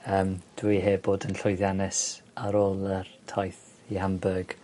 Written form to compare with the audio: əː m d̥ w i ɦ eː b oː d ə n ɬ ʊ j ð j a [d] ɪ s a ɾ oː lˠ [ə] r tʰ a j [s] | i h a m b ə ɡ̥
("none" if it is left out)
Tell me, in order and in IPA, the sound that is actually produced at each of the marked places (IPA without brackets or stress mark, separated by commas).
n, ə, θ